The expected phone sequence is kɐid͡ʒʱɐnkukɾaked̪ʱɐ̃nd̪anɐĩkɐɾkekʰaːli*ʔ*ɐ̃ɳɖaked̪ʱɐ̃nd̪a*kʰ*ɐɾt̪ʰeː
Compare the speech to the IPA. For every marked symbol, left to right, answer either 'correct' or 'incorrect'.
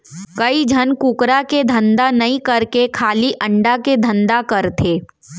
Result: correct, incorrect: k

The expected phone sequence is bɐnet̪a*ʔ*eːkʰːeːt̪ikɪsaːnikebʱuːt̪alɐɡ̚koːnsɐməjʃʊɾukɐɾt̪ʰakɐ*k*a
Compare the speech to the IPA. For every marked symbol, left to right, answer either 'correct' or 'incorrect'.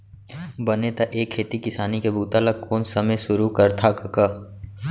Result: correct, correct

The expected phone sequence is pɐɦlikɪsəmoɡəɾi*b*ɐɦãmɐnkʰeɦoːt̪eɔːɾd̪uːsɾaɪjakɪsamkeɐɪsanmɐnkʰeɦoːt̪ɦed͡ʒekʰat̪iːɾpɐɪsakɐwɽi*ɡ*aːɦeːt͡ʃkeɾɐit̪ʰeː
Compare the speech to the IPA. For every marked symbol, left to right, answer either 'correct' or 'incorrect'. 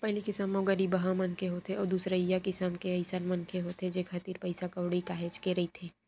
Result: correct, incorrect: k

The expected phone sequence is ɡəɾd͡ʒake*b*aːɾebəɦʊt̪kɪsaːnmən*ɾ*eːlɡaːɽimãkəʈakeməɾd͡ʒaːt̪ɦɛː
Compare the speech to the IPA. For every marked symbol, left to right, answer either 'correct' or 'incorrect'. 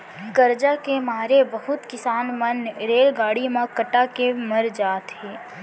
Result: incorrect: m, correct

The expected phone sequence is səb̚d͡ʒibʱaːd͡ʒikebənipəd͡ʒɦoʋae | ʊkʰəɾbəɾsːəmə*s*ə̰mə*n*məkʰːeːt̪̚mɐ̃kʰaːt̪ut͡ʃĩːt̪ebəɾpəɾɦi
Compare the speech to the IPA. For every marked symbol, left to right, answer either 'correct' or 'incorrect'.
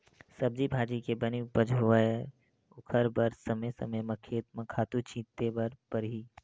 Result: correct, incorrect: none

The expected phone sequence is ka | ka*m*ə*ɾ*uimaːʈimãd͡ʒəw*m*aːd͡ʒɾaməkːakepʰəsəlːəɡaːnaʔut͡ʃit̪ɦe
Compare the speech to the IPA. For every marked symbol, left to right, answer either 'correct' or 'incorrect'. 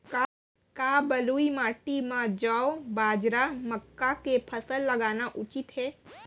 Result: incorrect: b, incorrect: l, incorrect: b

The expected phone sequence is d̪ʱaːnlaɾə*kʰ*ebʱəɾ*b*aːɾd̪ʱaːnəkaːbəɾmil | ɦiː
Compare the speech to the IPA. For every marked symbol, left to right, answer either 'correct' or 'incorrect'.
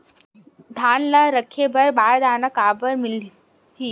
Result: correct, correct

